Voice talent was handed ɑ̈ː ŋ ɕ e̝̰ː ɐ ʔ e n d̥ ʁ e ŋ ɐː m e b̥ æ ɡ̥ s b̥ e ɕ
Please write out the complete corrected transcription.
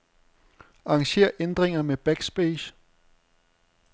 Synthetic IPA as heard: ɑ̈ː ŋ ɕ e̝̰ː ɐ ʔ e n d̥ ʁ e ŋ ɐ m e b̥ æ ɡ̥ s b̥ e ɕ